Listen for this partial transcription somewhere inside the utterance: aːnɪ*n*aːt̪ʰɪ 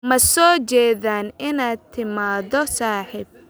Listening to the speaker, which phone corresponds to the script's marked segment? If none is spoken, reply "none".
n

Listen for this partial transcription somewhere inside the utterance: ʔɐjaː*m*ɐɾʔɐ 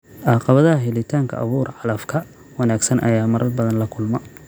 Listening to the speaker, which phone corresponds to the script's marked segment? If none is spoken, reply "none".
m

